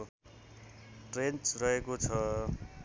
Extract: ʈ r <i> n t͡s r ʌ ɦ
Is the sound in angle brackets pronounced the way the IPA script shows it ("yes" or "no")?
no